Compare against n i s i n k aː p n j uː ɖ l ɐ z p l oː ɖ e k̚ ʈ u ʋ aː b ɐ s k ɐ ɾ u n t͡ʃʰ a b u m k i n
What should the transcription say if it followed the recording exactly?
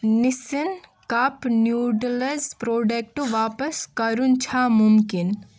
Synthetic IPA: n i s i n k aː p n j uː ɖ l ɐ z p ɾ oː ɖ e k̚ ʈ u ʋ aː p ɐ s k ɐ ɾ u n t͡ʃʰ a m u m k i n